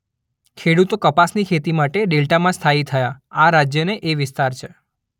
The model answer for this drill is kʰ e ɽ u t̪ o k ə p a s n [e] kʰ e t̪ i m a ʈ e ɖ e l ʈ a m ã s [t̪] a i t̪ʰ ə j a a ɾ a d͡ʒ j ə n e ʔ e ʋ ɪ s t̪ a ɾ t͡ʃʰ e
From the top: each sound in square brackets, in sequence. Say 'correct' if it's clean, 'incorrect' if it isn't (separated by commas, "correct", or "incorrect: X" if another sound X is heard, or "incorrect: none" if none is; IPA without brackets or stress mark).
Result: incorrect: i, incorrect: t̪ʰ